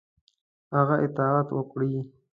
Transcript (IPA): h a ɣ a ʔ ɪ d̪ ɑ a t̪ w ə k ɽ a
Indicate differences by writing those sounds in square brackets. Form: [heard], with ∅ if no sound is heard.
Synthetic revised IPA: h a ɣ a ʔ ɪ [t̪] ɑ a t̪ w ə k ɽ [i]